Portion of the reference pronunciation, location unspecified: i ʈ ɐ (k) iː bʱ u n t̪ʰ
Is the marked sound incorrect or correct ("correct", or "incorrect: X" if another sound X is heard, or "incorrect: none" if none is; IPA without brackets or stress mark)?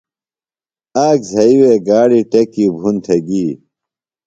correct